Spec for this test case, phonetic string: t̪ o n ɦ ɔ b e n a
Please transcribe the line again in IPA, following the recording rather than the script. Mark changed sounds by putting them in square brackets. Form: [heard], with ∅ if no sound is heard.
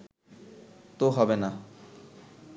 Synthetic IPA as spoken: t̪ o [∅] ɦ ɔ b e n a